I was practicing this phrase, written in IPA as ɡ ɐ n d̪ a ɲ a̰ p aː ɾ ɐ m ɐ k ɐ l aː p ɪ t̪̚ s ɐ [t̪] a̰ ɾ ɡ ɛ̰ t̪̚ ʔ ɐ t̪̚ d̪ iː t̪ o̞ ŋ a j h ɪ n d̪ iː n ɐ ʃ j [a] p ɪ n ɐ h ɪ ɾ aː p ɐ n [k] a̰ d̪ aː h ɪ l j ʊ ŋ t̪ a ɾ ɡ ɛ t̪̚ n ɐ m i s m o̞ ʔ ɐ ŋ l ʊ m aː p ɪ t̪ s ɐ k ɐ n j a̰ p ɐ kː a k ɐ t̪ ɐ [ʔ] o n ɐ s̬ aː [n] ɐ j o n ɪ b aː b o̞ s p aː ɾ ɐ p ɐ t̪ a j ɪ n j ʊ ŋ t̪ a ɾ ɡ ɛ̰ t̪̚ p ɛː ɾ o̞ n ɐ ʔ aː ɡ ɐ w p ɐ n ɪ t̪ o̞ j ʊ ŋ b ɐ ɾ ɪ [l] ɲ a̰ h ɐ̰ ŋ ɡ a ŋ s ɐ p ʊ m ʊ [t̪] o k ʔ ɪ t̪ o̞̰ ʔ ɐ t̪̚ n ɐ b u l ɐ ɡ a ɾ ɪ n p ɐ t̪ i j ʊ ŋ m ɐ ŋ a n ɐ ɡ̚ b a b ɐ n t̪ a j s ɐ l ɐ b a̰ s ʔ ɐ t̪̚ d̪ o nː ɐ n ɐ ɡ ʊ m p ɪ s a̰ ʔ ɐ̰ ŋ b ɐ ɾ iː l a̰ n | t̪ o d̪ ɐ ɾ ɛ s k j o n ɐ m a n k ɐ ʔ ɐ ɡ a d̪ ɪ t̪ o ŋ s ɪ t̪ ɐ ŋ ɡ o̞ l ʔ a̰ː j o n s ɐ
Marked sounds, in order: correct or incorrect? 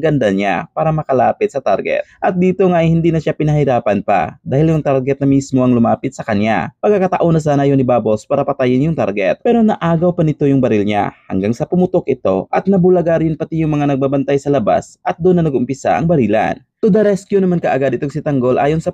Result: correct, correct, incorrect, correct, correct, correct, correct

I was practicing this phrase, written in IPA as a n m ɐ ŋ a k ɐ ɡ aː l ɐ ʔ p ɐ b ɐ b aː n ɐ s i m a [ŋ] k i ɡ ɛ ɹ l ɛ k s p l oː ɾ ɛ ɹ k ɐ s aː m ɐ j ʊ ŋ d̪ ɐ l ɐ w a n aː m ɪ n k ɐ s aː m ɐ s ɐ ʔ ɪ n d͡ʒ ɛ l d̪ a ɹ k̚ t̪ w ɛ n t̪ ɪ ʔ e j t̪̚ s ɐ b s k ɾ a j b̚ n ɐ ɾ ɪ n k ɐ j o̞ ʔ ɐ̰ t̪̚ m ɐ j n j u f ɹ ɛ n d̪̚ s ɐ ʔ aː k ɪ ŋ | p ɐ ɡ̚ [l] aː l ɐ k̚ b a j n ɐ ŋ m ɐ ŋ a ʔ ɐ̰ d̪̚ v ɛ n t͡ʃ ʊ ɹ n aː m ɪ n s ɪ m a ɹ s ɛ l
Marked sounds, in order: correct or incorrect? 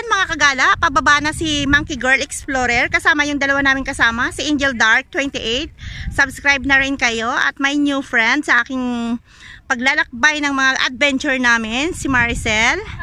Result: correct, correct

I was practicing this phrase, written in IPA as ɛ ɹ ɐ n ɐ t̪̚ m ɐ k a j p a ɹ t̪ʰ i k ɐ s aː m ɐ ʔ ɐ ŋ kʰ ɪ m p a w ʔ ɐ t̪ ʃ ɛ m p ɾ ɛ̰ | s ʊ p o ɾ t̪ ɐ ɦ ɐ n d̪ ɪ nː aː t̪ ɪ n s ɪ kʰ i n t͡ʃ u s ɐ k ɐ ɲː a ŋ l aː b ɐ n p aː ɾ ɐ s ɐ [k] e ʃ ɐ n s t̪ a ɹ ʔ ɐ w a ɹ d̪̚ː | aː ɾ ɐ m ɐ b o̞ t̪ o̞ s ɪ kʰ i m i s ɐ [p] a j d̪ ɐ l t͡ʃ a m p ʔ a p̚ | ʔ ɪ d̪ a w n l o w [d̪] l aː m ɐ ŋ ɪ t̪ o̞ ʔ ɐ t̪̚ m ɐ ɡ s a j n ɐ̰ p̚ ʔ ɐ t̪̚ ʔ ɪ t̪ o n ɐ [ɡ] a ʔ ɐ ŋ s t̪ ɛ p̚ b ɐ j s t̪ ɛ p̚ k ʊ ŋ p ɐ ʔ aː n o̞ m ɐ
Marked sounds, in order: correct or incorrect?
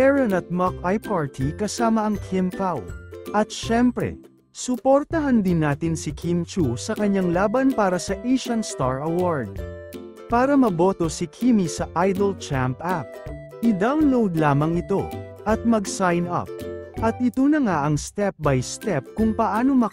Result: incorrect, incorrect, correct, incorrect

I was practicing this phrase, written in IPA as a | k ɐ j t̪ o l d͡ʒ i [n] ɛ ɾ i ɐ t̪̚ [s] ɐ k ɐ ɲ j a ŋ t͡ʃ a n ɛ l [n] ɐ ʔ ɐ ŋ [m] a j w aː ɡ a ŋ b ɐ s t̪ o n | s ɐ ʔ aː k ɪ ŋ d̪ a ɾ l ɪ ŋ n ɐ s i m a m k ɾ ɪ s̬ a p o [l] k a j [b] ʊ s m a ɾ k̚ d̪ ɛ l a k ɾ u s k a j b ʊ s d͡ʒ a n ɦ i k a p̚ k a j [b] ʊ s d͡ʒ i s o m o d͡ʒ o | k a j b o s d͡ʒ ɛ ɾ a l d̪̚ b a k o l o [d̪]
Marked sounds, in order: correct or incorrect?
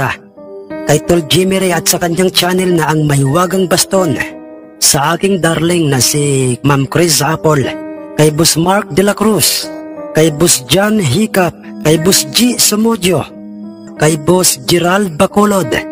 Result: incorrect, correct, correct, correct, correct, correct, correct, correct

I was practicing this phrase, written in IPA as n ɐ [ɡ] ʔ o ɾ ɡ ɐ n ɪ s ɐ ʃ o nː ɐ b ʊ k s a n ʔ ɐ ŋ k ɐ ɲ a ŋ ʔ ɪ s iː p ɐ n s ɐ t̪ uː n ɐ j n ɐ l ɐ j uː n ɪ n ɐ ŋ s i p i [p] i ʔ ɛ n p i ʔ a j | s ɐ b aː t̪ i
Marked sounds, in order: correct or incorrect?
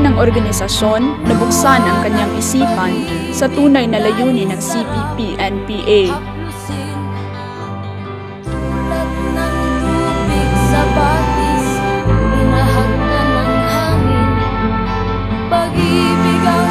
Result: incorrect, correct

